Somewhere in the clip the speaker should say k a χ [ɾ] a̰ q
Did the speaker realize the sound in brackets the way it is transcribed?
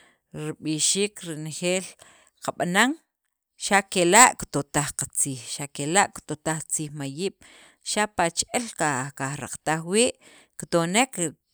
yes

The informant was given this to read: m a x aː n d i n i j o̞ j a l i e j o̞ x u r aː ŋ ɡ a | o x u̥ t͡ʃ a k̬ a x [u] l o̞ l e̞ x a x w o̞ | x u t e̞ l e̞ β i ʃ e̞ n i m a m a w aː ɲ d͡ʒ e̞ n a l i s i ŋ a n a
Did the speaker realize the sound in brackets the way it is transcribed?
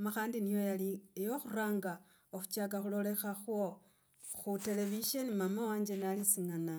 yes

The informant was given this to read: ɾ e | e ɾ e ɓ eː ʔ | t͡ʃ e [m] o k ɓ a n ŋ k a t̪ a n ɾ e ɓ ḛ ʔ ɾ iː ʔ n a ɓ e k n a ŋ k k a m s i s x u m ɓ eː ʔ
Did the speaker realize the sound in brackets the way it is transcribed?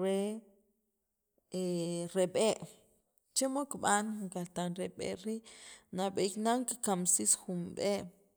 yes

